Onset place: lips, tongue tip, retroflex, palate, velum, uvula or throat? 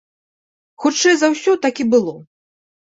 velum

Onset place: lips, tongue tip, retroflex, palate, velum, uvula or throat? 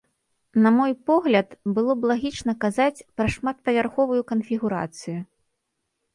tongue tip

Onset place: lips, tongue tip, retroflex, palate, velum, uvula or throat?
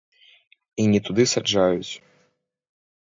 tongue tip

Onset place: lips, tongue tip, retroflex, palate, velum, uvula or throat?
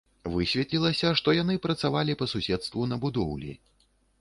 lips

